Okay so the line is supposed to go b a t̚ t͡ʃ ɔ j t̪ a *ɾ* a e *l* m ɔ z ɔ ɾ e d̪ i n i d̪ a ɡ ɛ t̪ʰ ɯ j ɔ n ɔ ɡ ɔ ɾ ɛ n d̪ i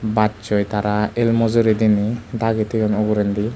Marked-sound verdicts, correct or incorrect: correct, correct

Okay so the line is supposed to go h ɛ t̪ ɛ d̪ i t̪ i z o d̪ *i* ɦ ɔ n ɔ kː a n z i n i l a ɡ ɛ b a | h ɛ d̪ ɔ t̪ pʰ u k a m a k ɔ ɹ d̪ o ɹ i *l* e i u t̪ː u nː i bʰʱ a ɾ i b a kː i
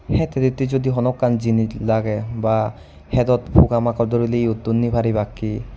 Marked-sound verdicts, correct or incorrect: correct, correct

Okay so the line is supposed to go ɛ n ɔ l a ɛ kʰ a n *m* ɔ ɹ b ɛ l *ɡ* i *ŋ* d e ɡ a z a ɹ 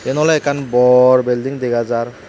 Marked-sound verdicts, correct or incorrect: incorrect: b, incorrect: d, correct

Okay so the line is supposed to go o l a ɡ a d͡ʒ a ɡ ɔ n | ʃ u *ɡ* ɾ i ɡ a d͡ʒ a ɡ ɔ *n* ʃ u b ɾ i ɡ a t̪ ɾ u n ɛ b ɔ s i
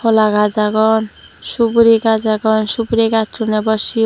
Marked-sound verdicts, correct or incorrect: incorrect: b, correct

